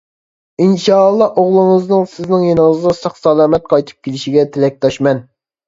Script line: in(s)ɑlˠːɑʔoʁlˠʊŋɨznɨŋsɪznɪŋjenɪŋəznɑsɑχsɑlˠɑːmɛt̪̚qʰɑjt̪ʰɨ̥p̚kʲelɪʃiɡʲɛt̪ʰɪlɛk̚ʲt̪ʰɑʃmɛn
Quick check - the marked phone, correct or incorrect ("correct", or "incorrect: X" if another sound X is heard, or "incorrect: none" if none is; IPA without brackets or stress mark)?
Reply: incorrect: ʃ